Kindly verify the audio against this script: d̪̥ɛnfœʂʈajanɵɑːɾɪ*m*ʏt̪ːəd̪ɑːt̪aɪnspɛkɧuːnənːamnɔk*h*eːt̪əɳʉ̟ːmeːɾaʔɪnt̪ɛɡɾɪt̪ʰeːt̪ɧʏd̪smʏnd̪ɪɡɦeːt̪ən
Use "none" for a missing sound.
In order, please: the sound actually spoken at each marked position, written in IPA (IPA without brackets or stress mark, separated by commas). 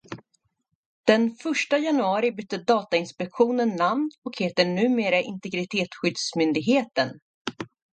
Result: b, h